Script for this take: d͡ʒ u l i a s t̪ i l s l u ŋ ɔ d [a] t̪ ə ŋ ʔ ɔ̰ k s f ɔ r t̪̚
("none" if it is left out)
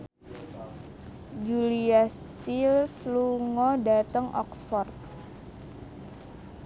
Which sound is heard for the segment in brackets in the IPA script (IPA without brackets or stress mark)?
a